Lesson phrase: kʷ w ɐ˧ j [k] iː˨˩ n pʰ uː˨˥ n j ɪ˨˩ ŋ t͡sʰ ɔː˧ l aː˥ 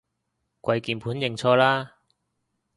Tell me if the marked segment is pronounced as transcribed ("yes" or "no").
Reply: yes